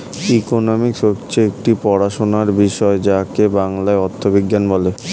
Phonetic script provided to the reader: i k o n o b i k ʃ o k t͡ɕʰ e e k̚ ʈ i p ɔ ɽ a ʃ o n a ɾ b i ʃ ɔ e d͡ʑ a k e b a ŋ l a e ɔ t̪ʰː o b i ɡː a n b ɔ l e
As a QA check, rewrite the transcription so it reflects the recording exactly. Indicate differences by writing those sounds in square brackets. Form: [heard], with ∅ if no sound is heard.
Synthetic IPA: i k o n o [m] i k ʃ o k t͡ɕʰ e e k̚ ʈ i p ɔ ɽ a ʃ o n a ɾ b i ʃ ɔ e d͡ʑ a k e b a ŋ l a e ɔ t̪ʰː o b i ɡː a n b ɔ l e